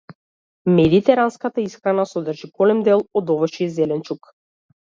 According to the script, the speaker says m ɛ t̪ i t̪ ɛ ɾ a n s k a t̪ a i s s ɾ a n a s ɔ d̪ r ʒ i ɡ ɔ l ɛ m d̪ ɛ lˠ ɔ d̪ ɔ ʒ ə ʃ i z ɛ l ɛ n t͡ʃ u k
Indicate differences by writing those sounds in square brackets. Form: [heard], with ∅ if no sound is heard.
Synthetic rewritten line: m ɛ [d̪] i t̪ ɛ ɾ a n s k a t̪ a i s [x] ɾ a n a s ɔ d̪ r ʒ i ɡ ɔ l ɛ m d̪ ɛ lˠ ɔ d̪ ɔ [v] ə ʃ i z ɛ l ɛ n t͡ʃ u k